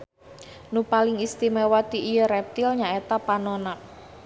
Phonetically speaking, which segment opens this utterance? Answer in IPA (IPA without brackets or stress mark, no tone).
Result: n